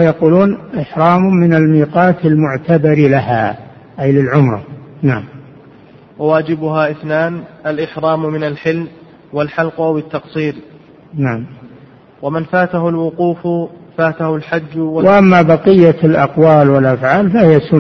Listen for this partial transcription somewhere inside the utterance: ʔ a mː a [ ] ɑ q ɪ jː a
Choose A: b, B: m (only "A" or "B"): A